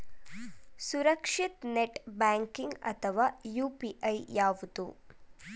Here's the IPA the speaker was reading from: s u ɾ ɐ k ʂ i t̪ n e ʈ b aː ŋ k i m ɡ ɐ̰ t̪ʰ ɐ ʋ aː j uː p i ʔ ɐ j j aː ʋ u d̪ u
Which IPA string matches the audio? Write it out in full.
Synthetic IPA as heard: s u ɾ ɐ k ʂ i t̪ n e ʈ b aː ŋ k i ŋ ɡ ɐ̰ t̪ʰ ɐ ʋ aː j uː p i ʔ ɐ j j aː ʋ u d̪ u